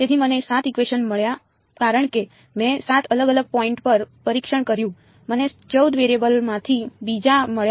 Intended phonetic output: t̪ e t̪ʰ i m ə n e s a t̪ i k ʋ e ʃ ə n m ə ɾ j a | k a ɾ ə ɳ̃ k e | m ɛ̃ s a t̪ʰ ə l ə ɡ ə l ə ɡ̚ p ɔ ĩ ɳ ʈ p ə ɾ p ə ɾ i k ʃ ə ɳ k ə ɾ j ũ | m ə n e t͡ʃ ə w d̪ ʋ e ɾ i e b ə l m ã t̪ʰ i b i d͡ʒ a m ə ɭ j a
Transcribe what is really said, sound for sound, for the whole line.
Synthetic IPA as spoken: t̪ e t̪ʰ i m ə n e s a t̪ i k ʋ e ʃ ə n m ə ɭ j a | k a ɾ ə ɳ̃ k e | m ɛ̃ s a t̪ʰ ə l ə ɡ ə l ə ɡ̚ p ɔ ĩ ɳ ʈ p ə ɾ p ə ɾ i k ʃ ə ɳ k ə ɾ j ũ | m ə n e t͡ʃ ə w d̪ ʋ e ɾ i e b ə l m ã t̪ʰ i b i d͡ʒ a m ə ɭ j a